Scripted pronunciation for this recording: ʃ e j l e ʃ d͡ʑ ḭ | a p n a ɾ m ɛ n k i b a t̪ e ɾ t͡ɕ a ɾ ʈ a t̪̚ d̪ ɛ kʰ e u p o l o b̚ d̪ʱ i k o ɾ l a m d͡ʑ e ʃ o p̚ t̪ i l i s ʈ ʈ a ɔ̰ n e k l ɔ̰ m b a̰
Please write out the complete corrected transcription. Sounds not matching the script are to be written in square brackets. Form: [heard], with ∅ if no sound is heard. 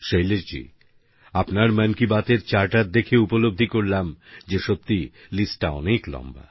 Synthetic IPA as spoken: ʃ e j l e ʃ d͡ʑ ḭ | a p n a ɾ m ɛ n k i b a t̪ e ɾ t͡ɕ a ɾ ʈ a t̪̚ d̪ [e] kʰ e u p o l o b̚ d̪ʱ i k o ɾ l a m d͡ʑ e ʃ o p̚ t̪ i l i s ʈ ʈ a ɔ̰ n e k l ɔ̰ m b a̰

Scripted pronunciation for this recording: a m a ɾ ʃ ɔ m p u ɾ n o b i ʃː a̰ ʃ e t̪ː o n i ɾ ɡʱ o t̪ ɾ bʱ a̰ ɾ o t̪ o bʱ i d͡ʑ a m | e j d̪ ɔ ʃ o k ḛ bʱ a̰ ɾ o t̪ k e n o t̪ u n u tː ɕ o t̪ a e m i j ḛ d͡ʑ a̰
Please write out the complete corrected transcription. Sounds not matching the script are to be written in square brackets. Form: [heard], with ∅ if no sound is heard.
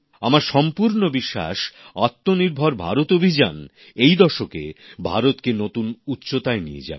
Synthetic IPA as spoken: a m a ɾ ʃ ɔ m p u ɾ n o b i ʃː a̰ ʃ [a] t̪ː o n i ɾ [bʱ] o [∅] ɾ bʱ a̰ ɾ o t̪ o bʱ i d͡ʑ a [n] | e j d̪ ɔ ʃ o k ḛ bʱ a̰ ɾ o t̪ k e n o t̪ u n u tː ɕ o t̪ a e [n] i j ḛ d͡ʑ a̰

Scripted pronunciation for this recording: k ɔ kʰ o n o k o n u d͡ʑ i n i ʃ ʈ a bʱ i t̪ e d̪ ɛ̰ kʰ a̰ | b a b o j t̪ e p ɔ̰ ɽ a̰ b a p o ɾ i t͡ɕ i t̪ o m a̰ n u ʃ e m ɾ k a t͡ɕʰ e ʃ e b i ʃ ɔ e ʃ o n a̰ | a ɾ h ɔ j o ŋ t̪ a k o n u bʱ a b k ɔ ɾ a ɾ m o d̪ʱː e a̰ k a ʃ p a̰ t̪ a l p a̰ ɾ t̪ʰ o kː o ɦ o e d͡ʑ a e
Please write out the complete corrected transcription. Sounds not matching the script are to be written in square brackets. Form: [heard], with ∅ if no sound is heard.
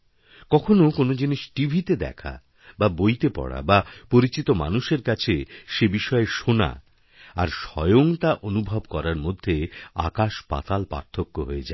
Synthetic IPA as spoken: k ɔ kʰ o n o k o n [o] d͡ʑ i n i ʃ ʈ [i] bʱ i t̪ e d̪ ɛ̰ kʰ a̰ | b a b o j t̪ e p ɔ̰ ɽ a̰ b a p o ɾ i t͡ɕ i t̪ o m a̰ n u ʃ e [∅] ɾ k a t͡ɕʰ e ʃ e b i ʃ ɔ e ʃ o n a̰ | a ɾ [ʃ] ɔ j o ŋ t̪ a [ʔ] o n u bʱ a b k ɔ ɾ a ɾ m o d̪ʱː e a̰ k a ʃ p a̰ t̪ a l p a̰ ɾ t̪ʰ o kː o ɦ o e d͡ʑ a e

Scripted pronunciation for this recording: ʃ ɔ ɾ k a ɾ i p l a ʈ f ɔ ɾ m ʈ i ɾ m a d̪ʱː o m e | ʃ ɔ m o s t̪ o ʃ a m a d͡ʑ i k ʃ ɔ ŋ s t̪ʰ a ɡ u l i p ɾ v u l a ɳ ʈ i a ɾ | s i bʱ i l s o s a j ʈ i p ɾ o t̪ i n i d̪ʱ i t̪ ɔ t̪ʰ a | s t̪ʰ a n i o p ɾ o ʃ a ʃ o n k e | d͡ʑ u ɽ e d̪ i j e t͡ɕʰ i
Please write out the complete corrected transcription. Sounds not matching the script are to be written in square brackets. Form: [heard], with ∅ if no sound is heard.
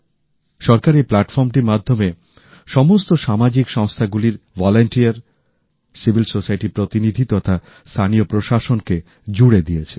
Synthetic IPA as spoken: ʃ ɔ ɾ k a ɾ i p l a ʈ f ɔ ɾ m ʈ i ɾ m a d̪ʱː o m e | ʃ ɔ m o s t̪ o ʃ a m a d͡ʑ i k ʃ ɔ ŋ s t̪ʰ a ɡ u l i [∅] ɾ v [ɔ] l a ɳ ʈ i a ɾ | s i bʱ i l s o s a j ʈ i p ɾ o t̪ i n i d̪ʱ i t̪ ɔ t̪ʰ a | s t̪ʰ a n i o p ɾ o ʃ a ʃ o n k e | d͡ʑ u ɽ e d̪ i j e t͡ɕʰ [e]

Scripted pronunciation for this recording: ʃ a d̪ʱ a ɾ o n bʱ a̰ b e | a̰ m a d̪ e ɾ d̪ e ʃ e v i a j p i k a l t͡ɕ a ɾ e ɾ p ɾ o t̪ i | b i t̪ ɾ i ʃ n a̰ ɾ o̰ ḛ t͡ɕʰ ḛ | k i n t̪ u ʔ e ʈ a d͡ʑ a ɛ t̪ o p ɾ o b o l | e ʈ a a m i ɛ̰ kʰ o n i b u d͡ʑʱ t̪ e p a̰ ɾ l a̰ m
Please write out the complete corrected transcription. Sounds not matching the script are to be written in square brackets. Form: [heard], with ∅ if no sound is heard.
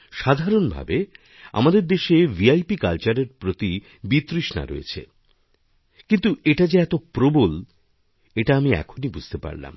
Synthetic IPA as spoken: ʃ a d̪ʱ a ɾ o n bʱ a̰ b e | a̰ m a d̪ e ɾ d̪ e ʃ e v i a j p i k a l t͡ɕ a ɾ e ɾ p ɾ o t̪ i | b i t̪ ɾ i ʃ n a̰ ɾ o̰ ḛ t͡ɕʰ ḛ | k i n t̪ u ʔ e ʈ a d͡ʑ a ɛ t̪ o p ɾ o b o l | e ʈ a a m i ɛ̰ kʰ o n i b u d͡ʑʱ t̪ e p a̰ ɾ l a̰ m

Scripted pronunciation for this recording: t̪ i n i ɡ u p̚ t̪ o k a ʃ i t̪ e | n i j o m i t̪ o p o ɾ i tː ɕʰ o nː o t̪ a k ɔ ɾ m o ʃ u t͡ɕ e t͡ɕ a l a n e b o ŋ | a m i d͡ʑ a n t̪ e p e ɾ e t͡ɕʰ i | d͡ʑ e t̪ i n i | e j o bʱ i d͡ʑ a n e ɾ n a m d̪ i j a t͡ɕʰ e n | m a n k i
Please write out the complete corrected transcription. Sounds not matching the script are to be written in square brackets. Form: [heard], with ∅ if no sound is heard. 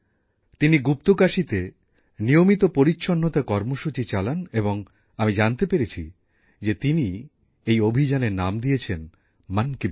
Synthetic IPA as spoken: t̪ i n i ɡ u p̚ t̪ o k a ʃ i t̪ e | n i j o m i t̪ o p o ɾ i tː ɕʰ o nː o t̪ a k ɔ ɾ m o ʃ u t͡ɕ [i] t͡ɕ a l a n e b o ŋ | a m i d͡ʑ a n t̪ e p e ɾ e t͡ɕʰ i | d͡ʑ e t̪ i n i | e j o bʱ i d͡ʑ a n e ɾ n a m d̪ i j [e] t͡ɕʰ e n | m a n k i

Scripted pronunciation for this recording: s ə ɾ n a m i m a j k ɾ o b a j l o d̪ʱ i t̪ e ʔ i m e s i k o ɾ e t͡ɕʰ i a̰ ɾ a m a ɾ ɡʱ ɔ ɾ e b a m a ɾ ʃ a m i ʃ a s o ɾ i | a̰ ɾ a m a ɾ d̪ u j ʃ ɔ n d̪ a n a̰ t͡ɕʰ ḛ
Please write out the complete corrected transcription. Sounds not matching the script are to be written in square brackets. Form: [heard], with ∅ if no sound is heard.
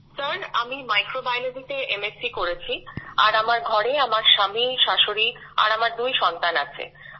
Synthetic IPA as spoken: s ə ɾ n a m i m a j k ɾ o b a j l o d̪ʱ i t̪ e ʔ [e] m e s i k o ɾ e t͡ɕʰ i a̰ ɾ a m a ɾ ɡʱ ɔ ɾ e [∅] a m a ɾ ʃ a m i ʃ a [ʃ] o ɾ i | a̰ ɾ a m a ɾ d̪ u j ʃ ɔ n [t̪] a n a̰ t͡ɕʰ ḛ

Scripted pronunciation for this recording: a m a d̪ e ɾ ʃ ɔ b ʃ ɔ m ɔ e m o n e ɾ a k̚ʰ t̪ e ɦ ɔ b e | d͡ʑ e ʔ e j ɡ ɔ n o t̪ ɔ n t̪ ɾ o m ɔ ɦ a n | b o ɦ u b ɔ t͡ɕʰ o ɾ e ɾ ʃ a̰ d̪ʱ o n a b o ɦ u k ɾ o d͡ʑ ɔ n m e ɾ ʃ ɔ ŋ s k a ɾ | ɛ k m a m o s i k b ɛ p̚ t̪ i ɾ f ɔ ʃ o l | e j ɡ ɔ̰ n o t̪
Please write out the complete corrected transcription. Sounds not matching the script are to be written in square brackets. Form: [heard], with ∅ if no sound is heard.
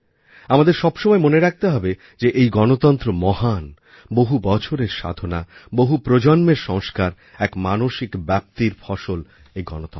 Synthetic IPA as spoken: a m a d̪ e ɾ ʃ ɔ b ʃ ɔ m ɔ e m o n e ɾ a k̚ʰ t̪ e ɦ ɔ b e | d͡ʑ e ʔ e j ɡ ɔ n o t̪ ɔ n t̪ ɾ o m ɔ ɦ a n | b o ɦ u b ɔ t͡ɕʰ o ɾ e ɾ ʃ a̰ d̪ʱ o n a b o ɦ u [p] ɾ o d͡ʑ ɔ n m e ɾ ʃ ɔ ŋ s k a ɾ | ɛ k m a [n] o [ʃ] i k b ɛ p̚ t̪ i ɾ f ɔ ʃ o l | e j ɡ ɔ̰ n o t̪

